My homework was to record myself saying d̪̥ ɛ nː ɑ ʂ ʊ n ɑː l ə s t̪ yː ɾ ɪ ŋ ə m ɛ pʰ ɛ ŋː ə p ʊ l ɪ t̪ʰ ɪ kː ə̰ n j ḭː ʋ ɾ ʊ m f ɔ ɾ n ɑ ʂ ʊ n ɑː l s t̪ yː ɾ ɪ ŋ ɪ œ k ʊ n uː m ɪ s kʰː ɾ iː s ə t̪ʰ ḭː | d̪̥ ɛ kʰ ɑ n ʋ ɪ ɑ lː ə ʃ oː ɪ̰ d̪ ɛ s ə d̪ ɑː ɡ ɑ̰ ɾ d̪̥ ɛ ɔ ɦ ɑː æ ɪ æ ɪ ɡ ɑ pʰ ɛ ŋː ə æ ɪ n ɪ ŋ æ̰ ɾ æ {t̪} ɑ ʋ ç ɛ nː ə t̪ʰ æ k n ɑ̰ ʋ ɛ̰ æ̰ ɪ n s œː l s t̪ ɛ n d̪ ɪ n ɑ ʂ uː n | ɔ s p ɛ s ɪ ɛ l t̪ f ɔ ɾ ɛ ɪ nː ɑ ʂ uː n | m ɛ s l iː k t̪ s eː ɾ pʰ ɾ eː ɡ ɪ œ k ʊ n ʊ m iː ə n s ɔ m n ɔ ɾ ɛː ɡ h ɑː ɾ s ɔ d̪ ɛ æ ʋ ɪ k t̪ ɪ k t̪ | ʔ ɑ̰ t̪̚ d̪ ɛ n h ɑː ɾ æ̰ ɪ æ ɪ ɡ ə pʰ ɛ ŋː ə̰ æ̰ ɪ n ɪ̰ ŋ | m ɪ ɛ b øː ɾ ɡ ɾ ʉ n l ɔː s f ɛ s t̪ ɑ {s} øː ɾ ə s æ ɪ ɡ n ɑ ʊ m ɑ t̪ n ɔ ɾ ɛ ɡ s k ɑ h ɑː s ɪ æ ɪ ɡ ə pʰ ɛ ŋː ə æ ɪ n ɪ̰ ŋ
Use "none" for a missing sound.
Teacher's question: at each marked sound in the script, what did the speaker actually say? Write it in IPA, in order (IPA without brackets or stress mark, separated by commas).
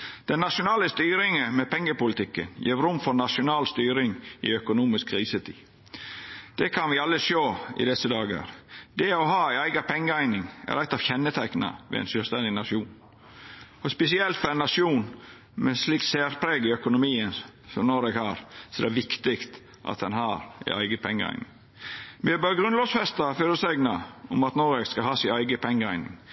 t̪, f